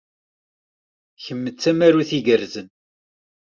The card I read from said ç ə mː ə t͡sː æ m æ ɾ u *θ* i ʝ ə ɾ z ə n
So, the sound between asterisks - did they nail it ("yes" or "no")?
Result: yes